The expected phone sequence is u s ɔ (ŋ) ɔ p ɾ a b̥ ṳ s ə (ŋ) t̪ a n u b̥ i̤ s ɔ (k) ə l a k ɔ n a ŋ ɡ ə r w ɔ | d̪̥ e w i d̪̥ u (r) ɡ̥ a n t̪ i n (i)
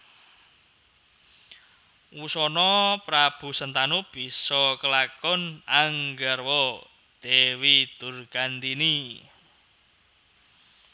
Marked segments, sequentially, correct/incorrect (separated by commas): incorrect, incorrect, correct, correct, correct